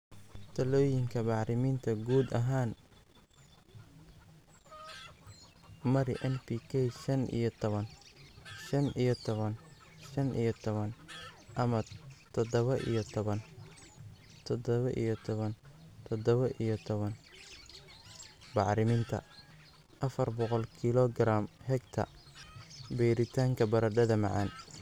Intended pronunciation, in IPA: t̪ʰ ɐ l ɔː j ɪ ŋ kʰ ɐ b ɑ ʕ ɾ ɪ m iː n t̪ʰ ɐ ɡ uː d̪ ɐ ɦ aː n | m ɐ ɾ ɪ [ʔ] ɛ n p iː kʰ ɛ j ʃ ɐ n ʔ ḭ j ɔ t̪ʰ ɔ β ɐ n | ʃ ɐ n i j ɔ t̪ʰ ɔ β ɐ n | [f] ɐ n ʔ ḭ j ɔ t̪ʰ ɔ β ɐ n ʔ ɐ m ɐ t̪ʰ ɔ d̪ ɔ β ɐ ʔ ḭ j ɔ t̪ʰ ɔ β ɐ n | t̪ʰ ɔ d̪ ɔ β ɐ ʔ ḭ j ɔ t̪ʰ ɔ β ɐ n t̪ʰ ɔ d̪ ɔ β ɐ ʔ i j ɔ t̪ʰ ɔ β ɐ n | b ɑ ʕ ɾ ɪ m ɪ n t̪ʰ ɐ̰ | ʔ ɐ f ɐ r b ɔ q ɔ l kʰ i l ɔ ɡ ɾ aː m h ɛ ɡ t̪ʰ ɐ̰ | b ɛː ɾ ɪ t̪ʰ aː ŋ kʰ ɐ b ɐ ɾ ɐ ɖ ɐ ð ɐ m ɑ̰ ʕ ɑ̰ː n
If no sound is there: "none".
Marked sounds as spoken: ʔ, ʃ

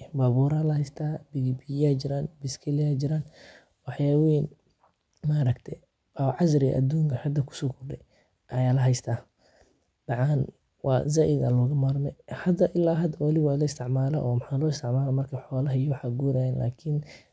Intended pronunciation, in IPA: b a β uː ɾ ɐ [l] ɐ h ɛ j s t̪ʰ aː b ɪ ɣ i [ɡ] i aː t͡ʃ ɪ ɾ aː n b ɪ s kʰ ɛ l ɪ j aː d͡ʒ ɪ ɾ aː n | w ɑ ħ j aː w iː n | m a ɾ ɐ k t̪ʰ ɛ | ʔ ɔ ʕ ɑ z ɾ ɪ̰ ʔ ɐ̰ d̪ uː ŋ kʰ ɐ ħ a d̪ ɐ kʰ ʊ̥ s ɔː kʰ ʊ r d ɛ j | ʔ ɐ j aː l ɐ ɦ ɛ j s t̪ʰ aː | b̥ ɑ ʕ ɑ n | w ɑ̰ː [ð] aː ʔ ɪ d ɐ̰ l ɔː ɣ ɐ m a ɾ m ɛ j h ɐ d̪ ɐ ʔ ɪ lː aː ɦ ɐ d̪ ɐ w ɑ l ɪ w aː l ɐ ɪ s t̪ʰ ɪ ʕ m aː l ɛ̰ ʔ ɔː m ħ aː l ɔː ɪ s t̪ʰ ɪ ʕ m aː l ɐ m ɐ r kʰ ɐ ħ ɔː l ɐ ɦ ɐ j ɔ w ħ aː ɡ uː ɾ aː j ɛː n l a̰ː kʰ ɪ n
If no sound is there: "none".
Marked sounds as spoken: l, b, z

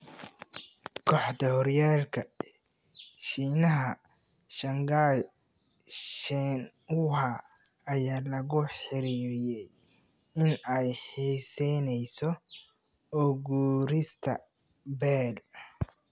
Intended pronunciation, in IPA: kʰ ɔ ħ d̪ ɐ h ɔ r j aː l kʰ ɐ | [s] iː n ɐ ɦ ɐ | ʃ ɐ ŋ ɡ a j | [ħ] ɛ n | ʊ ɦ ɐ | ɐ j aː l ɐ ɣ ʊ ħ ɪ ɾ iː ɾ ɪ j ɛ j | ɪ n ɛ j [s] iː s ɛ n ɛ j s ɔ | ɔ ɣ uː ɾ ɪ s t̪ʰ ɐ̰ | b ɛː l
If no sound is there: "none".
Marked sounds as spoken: ʃ, ʃ, ħ

